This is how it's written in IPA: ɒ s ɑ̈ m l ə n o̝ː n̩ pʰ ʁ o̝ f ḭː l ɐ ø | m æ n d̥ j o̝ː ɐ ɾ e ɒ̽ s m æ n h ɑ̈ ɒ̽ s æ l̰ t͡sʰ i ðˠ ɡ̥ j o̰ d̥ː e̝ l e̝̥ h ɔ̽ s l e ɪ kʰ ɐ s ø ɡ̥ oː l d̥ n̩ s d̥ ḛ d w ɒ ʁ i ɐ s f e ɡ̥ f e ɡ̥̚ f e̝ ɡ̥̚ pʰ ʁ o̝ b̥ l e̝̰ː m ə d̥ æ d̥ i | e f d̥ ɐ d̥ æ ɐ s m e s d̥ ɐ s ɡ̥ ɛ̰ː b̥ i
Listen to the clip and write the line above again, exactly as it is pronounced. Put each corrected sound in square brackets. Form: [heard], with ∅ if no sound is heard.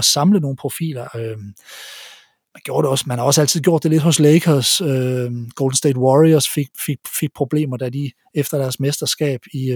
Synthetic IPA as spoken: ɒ s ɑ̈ m l ə n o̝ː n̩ pʰ ʁ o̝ f ḭː l ɐ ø | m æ n [ɡ̥] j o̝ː ɐ ɾ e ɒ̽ s m æ n h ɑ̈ ɒ̽ s æ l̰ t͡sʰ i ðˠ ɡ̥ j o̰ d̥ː e̝ l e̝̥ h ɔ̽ s l e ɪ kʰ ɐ s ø ɡ̥ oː l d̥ n̩ s d̥ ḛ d w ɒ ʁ i ɐ s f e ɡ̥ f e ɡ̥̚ f e̝ ɡ̥̚ pʰ ʁ o̝ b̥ l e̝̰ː m [ɐ] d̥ æ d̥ i | e f d̥ ɐ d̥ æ ɐ s m e s d̥ ɐ s ɡ̥ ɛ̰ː b̥ i